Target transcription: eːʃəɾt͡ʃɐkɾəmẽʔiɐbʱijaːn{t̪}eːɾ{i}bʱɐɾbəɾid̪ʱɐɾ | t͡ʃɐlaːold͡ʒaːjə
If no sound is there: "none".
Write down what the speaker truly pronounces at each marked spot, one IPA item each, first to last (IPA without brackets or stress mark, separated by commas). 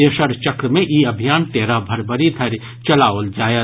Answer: t̪, a